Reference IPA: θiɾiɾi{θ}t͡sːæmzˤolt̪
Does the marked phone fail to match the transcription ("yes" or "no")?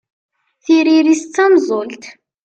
yes